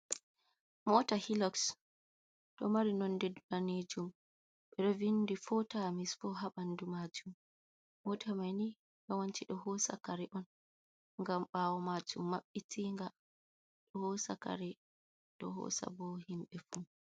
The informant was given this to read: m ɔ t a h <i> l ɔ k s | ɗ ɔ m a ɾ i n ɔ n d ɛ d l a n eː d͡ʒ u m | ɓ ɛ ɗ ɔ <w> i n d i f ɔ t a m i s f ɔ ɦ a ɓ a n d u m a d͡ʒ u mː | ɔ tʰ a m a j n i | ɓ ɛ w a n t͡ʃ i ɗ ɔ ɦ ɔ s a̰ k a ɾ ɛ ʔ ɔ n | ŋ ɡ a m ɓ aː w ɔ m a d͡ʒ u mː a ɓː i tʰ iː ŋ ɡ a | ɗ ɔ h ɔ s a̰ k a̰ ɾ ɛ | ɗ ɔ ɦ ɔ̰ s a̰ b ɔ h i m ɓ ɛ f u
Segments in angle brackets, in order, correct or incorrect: correct, incorrect: v

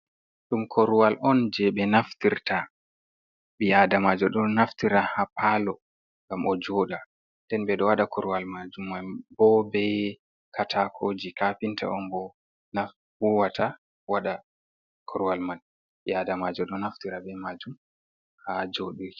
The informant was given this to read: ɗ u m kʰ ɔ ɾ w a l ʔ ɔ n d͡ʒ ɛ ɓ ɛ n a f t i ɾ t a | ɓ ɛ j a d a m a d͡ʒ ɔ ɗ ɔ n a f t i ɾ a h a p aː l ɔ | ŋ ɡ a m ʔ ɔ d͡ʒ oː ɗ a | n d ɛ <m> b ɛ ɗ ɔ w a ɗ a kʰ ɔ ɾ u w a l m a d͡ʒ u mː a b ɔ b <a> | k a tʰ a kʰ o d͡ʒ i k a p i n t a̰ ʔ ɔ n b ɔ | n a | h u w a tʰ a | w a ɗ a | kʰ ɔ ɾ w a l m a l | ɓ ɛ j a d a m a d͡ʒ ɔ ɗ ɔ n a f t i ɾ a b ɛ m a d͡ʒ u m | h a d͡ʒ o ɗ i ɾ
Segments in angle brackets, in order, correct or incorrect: incorrect: n, incorrect: ɛ

